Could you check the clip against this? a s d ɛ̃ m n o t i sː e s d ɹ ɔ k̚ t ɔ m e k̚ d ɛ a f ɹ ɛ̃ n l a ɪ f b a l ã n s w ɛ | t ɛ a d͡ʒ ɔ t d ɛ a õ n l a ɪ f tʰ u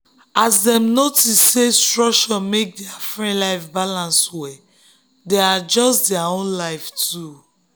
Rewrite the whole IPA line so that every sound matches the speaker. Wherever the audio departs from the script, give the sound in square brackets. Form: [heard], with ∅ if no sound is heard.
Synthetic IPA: a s d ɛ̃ m n o t i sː e s [t] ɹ ɔ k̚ [t͡ʃ] ɔ m e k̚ d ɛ a f ɹ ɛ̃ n l a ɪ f b a l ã n s w ɛ | [d] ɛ a d͡ʒ ɔ [s] d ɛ a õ n l a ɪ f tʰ u